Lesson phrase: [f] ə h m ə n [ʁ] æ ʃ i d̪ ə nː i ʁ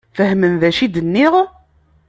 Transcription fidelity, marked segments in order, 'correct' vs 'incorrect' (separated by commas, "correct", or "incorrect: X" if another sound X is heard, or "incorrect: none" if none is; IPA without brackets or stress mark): correct, incorrect: ð